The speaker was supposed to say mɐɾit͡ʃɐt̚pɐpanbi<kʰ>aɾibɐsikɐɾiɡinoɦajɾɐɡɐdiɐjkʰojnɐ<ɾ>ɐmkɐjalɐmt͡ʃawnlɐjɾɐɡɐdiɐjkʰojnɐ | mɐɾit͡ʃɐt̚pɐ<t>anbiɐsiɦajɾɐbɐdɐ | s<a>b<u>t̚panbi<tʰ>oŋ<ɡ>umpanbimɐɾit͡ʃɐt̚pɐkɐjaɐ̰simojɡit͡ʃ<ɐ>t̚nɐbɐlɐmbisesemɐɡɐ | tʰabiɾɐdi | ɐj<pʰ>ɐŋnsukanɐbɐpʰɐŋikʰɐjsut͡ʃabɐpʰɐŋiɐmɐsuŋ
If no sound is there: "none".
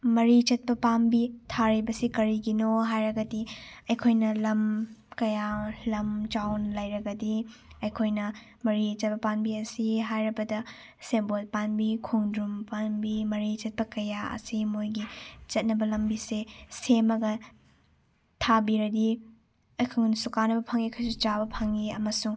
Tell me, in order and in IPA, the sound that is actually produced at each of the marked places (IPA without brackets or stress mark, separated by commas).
tʰ, l, p, e, o, kʰ, d, ɐ, kʰ